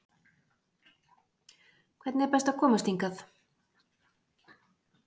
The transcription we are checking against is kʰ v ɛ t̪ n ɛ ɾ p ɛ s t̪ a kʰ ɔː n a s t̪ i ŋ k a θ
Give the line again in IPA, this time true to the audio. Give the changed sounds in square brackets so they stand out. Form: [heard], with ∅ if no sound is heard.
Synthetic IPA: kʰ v ɛ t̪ n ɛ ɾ p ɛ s t̪ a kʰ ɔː [m] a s t̪ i ŋ k a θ